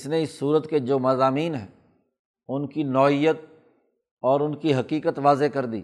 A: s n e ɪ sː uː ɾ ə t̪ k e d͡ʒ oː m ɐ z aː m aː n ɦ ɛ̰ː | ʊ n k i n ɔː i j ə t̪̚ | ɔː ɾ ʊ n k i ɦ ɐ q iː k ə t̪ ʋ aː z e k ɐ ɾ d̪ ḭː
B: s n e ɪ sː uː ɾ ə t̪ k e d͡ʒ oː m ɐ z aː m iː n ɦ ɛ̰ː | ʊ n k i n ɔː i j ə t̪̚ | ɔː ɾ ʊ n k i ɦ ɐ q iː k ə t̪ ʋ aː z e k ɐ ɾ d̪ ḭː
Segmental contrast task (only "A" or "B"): B